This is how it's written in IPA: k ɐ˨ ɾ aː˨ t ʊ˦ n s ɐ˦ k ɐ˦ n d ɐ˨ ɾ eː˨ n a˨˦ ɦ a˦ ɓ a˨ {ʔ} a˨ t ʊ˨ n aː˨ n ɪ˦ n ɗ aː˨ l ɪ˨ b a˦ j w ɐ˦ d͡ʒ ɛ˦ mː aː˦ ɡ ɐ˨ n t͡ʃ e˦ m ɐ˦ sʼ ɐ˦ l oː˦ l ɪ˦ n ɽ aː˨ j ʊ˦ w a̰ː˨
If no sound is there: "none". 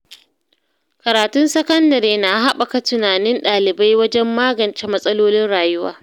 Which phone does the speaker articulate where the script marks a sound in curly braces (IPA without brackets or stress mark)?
k